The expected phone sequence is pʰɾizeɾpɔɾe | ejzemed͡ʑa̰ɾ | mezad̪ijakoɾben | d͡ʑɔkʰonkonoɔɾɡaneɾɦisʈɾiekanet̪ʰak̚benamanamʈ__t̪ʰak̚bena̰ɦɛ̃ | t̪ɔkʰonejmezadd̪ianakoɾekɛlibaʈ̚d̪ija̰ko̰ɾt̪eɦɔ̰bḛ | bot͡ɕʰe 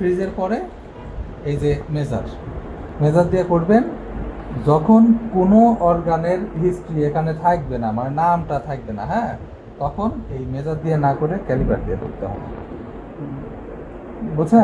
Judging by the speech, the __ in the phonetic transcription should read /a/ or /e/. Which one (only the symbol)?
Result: a